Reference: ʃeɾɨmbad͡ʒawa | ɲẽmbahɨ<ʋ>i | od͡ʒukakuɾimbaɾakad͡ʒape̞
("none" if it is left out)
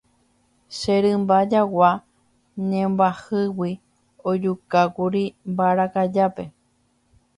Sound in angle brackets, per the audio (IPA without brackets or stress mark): w